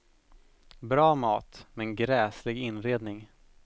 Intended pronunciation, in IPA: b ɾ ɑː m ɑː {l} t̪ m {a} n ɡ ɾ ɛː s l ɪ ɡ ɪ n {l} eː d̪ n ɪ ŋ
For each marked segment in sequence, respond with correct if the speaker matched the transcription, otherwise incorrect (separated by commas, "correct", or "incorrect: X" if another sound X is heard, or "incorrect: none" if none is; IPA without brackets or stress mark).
incorrect: none, incorrect: ɛ, incorrect: ɾ